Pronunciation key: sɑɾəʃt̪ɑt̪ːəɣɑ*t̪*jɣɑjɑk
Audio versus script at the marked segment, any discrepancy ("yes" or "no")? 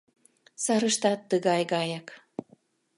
yes